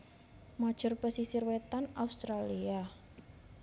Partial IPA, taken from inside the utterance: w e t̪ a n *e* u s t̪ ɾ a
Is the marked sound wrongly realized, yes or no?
yes